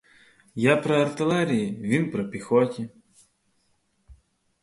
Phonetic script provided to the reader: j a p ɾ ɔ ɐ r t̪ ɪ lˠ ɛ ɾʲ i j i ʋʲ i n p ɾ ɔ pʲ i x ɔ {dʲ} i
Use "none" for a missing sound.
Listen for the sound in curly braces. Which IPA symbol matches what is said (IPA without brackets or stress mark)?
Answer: tʲ